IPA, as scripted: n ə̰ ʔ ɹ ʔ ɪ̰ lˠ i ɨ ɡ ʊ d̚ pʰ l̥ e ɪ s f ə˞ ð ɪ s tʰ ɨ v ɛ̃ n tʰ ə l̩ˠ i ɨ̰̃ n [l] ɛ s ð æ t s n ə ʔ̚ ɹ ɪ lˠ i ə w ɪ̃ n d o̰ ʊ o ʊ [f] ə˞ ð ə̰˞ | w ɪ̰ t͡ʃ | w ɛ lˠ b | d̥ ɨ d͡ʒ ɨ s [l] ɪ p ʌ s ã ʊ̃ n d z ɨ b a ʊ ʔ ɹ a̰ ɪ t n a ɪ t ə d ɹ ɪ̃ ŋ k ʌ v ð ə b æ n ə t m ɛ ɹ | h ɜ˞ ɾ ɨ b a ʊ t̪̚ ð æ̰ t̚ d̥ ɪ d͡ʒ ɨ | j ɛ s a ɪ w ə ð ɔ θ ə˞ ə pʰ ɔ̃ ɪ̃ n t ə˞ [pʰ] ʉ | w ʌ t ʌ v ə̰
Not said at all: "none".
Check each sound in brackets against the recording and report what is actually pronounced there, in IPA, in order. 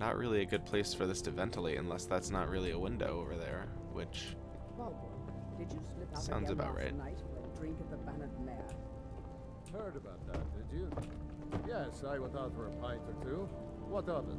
l, v, l, tʰ

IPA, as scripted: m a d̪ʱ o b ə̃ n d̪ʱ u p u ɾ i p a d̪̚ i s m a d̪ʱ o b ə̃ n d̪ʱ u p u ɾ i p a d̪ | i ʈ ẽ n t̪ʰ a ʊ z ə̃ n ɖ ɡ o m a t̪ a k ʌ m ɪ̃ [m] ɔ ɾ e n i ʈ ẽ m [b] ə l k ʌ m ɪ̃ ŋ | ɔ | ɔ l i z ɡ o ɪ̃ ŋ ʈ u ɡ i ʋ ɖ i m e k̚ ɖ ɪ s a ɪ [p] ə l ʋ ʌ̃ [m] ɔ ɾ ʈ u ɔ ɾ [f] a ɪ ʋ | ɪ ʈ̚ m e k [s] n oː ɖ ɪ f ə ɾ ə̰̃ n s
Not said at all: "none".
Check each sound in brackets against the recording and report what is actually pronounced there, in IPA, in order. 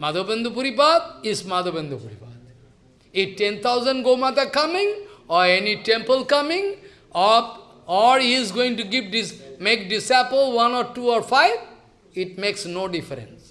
ŋ, p, p, n, f, s

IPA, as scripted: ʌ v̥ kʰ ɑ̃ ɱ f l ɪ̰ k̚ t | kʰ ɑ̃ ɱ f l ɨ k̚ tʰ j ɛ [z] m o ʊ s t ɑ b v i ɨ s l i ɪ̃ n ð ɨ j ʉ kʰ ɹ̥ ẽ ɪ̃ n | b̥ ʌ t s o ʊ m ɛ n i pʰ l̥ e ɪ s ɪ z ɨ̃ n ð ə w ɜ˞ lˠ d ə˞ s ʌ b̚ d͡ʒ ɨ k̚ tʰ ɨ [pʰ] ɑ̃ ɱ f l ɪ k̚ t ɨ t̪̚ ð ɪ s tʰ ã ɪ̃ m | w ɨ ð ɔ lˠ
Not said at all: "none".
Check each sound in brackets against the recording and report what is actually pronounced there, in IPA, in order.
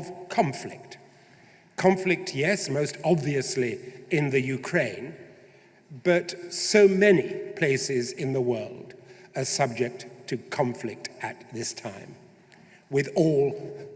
s, kʰ

